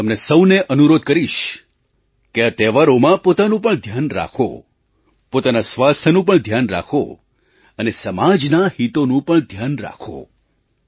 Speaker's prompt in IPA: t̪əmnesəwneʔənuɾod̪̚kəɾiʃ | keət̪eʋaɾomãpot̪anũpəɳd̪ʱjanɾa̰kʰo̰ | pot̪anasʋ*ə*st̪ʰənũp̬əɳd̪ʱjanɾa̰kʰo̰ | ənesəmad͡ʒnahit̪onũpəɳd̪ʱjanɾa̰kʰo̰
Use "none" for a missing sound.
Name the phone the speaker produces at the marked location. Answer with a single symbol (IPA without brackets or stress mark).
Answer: a